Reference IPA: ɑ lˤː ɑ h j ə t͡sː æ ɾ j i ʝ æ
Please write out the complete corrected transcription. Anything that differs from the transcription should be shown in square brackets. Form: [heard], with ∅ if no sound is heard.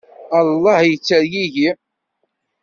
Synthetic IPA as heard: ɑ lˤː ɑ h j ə t͡sː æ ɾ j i ʝ [i]